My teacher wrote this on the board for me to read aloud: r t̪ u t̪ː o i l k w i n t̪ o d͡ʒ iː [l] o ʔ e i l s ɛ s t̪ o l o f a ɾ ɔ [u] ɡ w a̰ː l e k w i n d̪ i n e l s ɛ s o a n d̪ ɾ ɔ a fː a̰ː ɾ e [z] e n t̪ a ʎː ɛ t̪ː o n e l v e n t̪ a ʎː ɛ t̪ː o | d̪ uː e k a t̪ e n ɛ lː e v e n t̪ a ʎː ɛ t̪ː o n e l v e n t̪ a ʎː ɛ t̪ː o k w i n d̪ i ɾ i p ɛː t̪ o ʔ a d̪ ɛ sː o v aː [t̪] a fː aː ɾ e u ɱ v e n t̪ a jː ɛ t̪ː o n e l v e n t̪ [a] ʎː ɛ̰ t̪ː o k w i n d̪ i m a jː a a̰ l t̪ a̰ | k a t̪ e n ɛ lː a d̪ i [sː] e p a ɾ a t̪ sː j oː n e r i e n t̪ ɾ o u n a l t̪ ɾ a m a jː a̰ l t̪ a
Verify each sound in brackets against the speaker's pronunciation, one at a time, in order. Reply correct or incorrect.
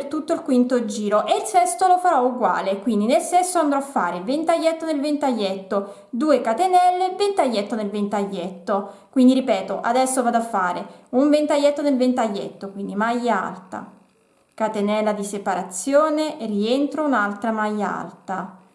incorrect: ɾ, correct, incorrect: v, incorrect: d̪, correct, incorrect: s

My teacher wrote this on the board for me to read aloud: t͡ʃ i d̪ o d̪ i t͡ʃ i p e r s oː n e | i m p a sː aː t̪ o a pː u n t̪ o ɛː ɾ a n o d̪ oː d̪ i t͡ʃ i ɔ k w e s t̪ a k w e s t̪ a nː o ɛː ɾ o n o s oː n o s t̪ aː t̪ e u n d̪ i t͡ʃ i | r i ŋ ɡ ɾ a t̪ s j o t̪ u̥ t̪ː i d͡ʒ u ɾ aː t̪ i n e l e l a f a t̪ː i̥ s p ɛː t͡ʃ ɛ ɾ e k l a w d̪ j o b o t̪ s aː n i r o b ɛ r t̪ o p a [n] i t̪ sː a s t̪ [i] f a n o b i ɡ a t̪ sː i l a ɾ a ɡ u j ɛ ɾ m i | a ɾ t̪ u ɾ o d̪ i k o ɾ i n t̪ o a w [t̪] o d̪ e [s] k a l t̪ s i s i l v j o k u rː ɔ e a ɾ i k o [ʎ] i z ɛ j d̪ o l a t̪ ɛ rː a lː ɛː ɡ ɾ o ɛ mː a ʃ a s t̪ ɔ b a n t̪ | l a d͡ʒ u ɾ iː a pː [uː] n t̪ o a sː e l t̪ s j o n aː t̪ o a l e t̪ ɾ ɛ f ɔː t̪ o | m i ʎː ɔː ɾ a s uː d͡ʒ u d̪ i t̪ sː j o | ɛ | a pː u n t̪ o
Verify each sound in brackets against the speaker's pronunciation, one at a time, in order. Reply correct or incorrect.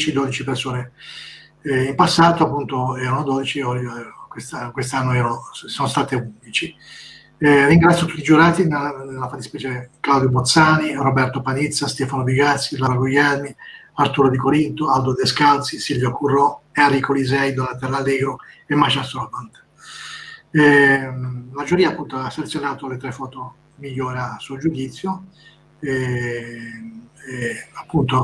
correct, incorrect: ɛ, incorrect: d̪, correct, incorrect: l, incorrect: u

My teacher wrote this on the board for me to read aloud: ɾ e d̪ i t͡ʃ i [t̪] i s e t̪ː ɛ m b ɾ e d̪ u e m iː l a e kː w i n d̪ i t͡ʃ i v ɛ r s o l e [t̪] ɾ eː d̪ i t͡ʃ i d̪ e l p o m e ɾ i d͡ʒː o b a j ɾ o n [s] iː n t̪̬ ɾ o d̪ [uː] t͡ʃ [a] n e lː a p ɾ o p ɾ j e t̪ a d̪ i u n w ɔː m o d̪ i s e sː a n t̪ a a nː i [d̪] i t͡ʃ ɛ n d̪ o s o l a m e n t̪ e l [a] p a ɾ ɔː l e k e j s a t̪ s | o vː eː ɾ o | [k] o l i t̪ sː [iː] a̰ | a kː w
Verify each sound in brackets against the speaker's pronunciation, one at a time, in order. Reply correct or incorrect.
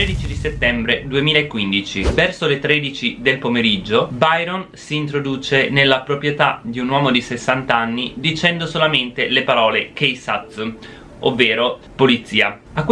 incorrect: d̪, correct, correct, correct, incorrect: e, correct, incorrect: e, incorrect: p, correct

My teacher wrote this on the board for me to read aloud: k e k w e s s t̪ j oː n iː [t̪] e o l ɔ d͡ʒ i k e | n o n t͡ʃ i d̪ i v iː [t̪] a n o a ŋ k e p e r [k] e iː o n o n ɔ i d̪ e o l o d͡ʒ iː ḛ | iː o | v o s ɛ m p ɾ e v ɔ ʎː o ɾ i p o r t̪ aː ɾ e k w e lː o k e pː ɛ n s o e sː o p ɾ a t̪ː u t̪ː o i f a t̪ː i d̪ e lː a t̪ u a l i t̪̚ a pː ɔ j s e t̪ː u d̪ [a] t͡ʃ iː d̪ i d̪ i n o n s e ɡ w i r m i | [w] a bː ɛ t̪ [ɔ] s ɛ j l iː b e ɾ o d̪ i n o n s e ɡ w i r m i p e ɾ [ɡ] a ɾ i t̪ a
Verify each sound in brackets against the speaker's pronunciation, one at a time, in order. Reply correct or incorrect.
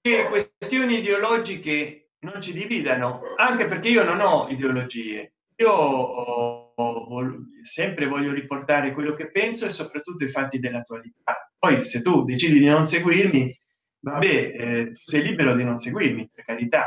incorrect: d̪, incorrect: d̪, correct, incorrect: e, incorrect: v, incorrect: u, incorrect: k

